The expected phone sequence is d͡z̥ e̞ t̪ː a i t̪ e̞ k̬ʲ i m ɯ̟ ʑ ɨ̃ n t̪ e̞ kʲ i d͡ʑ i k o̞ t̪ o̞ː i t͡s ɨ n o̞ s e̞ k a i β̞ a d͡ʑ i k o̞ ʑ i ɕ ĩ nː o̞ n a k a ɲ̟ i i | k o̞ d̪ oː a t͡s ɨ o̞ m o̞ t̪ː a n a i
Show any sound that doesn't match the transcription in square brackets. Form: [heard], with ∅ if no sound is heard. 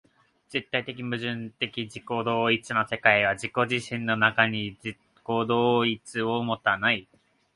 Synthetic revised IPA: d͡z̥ e̞ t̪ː a i t̪ e̞ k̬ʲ i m ɯ̟ ʑ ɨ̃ n t̪ e̞ kʲ i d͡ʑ i k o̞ [d̪] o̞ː i t͡s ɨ n o̞ s e̞ k a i β̞ a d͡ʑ i k o̞ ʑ i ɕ ĩ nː o̞ n a k a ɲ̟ i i | k o̞ d̪ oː [i] t͡s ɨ o̞ m o̞ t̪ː a n a i

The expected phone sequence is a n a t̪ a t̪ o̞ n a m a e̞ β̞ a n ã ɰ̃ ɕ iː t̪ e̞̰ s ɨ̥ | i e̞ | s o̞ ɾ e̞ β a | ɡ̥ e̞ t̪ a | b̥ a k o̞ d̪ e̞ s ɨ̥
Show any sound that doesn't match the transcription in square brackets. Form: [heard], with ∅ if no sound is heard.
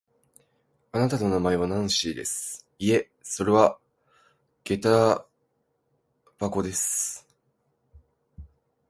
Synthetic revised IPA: a n a t̪ a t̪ o̞ n a m a e̞ β̞ a n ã ɰ̃ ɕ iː [d̪] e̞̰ s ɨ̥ | i e̞ | s o̞ ɾ e̞ β a | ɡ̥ e̞ t̪ a | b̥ a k o̞ d̪ e̞ s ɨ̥

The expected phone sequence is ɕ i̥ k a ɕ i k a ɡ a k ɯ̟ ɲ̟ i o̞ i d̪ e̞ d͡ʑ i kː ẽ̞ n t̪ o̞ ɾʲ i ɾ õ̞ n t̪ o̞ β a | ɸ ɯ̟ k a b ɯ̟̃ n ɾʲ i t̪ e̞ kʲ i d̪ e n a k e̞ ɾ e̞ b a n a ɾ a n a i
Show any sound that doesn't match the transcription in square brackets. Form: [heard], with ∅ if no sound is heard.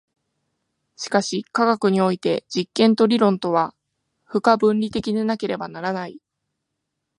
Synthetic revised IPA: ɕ i̥ k a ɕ i k a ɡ a k ɯ̟ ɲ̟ i o̞ i [t̪] e̞ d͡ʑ i kː ẽ̞ n t̪ o̞ ɾʲ i ɾ õ̞ n t̪ o̞ β a | ɸ ɯ̟ k a b ɯ̟̃ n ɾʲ i t̪ e̞ kʲ i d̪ e n a k e̞ ɾ e̞ b a n a ɾ a n a i

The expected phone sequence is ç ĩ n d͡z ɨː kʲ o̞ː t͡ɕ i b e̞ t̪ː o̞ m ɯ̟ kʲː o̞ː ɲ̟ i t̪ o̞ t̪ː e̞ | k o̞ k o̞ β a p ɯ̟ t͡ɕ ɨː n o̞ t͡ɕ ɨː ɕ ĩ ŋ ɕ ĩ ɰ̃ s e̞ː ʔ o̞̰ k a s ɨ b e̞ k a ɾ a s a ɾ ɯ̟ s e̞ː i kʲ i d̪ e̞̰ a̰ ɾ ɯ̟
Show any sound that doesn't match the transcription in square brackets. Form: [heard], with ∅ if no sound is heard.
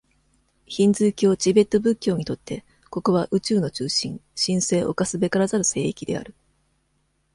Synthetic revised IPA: ç ĩ n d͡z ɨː kʲ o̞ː t͡ɕ i b e̞ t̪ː o̞ [b] ɯ̟ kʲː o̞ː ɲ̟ i t̪ o̞ t̪ː e̞ | k o̞ k o̞ β a [ʔ] ɯ̟ t͡ɕ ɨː n o̞ t͡ɕ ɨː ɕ ĩ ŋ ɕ ĩ ɰ̃ s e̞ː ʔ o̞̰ k a s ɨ b e̞ k a ɾ a [z] a ɾ ɯ̟ s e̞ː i kʲ i d̪ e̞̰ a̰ ɾ ɯ̟

